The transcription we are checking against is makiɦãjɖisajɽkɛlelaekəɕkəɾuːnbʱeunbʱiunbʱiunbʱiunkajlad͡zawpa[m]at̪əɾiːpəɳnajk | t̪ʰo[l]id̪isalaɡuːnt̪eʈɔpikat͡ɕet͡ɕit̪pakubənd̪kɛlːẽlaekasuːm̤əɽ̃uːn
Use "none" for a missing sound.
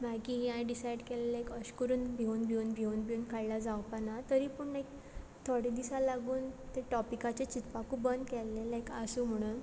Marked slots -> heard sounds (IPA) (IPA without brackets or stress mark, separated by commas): n, ɽ